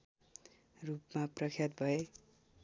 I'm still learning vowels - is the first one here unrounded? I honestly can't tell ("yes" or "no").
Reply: no